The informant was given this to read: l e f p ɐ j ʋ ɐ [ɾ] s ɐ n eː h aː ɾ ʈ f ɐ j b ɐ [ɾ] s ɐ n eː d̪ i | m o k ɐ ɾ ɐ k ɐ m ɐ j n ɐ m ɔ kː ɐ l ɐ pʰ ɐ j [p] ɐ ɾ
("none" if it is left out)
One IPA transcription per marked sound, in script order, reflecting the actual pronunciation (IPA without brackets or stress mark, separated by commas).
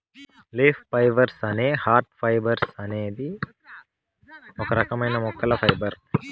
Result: ɾ, ɾ, b